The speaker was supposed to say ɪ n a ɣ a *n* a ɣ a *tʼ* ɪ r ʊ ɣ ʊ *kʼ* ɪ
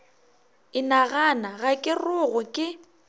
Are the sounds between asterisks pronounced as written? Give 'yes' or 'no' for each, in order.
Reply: yes, no, yes

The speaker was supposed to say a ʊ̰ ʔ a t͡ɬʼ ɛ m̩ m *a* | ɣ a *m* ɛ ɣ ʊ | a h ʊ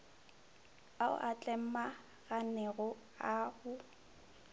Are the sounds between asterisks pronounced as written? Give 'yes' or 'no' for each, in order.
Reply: yes, no

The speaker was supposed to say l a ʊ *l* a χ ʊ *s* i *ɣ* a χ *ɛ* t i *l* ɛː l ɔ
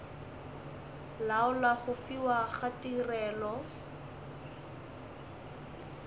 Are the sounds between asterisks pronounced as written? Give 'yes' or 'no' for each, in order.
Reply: yes, no, no, no, no

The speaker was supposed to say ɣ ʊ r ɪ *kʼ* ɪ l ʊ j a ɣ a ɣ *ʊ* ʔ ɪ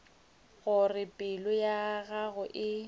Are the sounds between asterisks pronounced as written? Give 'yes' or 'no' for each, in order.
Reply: no, yes

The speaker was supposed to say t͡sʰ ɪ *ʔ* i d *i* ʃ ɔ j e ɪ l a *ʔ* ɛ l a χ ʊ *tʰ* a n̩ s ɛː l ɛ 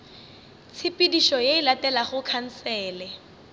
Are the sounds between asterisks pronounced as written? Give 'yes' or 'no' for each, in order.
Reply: no, yes, no, no

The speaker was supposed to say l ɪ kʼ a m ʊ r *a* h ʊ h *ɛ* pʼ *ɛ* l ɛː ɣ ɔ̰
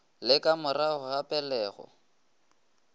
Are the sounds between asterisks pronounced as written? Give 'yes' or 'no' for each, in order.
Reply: yes, no, yes

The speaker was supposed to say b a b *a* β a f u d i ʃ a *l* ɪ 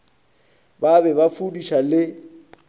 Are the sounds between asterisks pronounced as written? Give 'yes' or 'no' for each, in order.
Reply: no, yes

